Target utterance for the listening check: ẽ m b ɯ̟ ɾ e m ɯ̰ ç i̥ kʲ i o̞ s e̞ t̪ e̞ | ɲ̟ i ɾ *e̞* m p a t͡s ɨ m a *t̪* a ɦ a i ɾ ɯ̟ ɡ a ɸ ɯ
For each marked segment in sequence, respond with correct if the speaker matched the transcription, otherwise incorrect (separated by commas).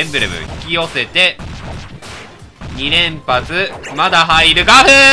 incorrect, incorrect